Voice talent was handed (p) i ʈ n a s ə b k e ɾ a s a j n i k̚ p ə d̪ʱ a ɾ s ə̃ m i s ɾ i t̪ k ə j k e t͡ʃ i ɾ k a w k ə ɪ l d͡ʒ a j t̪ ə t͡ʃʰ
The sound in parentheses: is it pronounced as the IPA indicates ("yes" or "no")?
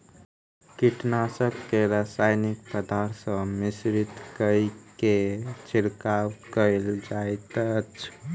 no